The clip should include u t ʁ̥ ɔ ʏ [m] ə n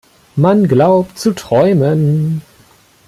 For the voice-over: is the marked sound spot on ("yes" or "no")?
yes